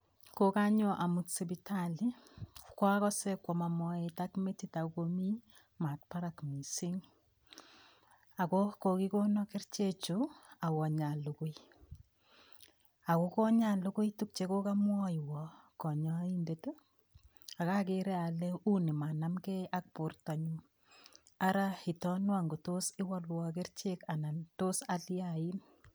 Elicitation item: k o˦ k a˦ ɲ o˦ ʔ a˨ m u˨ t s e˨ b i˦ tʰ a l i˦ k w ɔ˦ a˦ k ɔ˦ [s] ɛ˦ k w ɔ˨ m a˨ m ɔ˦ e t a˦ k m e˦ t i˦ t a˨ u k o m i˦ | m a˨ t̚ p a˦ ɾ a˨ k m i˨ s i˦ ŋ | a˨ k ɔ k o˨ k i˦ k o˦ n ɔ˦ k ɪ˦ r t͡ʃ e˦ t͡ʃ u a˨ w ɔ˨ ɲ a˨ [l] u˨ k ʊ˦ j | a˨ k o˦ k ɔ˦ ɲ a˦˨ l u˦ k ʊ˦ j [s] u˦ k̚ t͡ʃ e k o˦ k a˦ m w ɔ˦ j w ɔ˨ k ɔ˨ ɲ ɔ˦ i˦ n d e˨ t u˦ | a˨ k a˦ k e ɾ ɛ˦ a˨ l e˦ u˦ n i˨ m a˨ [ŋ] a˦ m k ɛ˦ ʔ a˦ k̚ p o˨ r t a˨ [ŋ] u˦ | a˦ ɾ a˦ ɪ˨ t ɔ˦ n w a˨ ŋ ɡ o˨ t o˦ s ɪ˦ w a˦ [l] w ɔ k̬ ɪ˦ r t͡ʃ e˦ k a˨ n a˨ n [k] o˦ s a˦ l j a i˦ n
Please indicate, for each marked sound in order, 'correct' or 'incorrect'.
correct, correct, incorrect: t, incorrect: n, incorrect: ɲ, correct, incorrect: t

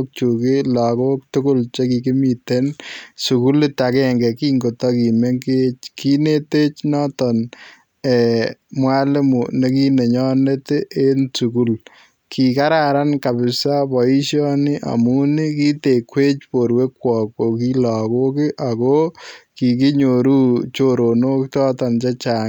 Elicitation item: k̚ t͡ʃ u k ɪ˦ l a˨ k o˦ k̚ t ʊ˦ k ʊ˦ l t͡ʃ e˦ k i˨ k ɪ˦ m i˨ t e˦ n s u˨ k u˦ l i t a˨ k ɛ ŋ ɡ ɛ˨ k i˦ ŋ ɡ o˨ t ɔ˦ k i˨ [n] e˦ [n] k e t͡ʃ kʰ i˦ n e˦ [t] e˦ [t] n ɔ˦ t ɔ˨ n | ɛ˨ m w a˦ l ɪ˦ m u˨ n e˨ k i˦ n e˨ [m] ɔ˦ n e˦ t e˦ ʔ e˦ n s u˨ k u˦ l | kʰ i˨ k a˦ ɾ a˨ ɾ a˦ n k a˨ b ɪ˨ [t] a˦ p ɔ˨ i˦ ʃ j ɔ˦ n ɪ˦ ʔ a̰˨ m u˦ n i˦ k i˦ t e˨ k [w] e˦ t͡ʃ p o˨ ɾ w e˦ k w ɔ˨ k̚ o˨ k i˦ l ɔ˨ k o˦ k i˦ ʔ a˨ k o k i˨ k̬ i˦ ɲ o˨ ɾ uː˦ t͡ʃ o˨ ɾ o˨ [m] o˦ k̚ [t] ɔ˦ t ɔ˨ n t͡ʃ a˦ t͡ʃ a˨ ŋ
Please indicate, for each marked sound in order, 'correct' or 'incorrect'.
incorrect: m, incorrect: ŋ, correct, incorrect: t͡ʃ, incorrect: ɲ, incorrect: s, correct, incorrect: n, correct

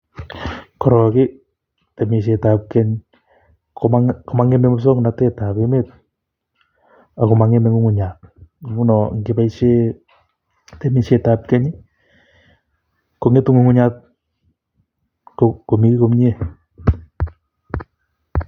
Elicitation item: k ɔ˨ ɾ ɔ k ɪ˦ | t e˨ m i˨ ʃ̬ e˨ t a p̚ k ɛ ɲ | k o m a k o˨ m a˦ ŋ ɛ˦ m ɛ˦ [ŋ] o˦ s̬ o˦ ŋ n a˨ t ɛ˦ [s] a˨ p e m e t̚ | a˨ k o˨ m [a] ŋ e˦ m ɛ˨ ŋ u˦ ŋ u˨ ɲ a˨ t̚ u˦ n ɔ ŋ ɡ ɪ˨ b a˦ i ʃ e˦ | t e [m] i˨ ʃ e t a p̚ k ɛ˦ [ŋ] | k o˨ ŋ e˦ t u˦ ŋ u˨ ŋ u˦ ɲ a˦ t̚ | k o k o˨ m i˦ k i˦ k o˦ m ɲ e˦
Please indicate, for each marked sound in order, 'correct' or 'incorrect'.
incorrect: m, incorrect: t, correct, correct, incorrect: ɲ

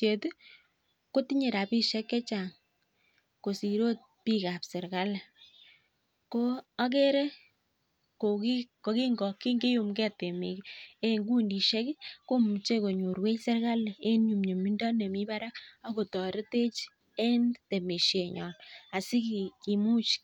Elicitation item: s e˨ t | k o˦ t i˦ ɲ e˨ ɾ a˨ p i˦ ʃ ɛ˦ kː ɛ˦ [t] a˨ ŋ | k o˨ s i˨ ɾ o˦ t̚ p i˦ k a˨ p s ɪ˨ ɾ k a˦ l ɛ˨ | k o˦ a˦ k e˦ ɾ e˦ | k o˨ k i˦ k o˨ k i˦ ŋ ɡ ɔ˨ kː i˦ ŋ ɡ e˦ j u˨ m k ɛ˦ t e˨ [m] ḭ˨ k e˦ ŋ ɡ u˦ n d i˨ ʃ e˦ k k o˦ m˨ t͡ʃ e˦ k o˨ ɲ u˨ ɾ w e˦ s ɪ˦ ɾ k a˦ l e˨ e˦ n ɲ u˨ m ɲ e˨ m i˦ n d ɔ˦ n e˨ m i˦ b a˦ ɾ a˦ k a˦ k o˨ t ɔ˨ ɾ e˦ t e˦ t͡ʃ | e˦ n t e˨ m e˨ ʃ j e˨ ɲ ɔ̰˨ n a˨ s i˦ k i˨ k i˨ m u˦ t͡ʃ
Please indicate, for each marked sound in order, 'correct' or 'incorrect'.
incorrect: t͡ʃ, correct

